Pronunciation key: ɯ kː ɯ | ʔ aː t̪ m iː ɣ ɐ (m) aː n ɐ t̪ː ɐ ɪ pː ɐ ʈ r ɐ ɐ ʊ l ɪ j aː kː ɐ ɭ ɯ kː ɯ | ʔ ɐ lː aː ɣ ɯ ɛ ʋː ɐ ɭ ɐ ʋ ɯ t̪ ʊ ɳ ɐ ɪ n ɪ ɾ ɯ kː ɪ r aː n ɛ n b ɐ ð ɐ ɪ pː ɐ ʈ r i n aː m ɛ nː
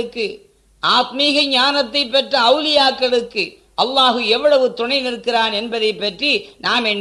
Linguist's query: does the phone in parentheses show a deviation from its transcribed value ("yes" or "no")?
yes